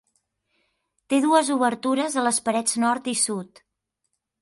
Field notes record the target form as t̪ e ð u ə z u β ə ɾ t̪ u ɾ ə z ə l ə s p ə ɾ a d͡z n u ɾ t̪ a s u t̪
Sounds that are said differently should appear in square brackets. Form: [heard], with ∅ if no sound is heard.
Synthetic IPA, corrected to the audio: t̪ e ð u ə z u β ə ɾ t̪ u ɾ ə z ə l ə s p ə ɾ [ɛ] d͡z n [ɔ] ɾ t̪ [i] s u t̪